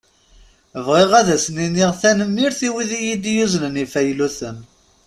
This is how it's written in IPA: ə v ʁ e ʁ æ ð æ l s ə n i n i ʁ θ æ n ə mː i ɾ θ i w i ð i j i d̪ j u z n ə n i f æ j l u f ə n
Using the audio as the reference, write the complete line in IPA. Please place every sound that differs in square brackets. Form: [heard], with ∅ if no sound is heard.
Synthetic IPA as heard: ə v ʁ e ʁ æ ð æ [∅] s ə n i n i ʁ θ æ n ə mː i ɾ θ i w i ð i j i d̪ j u z n ə n i f æ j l u [θ] ə n

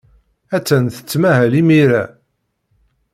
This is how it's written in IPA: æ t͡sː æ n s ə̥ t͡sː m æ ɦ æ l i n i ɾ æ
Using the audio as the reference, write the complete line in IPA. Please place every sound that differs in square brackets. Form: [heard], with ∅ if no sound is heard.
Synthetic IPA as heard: æ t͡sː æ n [θ] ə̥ t͡sː m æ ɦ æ l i [m] i ɾ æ

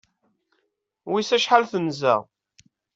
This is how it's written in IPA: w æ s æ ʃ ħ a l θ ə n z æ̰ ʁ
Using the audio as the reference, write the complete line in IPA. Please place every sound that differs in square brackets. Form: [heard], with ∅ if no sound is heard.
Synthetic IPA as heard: w [i] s æ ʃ ħ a l θ ə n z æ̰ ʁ

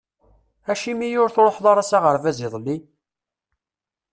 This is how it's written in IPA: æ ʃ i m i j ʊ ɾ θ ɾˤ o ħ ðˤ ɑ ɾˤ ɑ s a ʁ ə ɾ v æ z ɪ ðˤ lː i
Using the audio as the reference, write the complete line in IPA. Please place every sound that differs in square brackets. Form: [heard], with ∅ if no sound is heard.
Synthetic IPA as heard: æ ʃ i m i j ʊ ɾ θ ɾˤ o ħ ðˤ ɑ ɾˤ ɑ s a ʁ ə ɾ v æ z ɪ ðˤ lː i

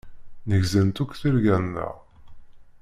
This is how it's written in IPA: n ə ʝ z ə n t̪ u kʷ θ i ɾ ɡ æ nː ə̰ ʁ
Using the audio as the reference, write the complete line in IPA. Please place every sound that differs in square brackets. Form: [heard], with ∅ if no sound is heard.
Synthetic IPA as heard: n ə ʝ z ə n t̪ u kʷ θ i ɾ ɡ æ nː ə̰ ʁ

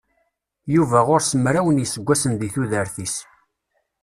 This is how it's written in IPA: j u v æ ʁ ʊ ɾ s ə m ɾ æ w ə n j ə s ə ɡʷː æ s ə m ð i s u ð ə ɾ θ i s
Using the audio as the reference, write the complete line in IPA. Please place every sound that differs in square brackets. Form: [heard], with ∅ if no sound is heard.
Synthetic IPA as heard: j u v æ ʁ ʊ ɾ s ə m ɾ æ w ə n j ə s ə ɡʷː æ s ə [n] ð i [θ] u ð ə ɾ θ i s

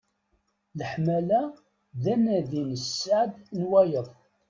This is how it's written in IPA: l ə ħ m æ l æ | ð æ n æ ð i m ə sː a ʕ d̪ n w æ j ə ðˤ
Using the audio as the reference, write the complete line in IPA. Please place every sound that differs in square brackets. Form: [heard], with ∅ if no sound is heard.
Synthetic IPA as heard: l ə ħ m æ l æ | ð æ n æ ð i [n] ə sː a ʕ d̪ n w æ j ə ðˤ

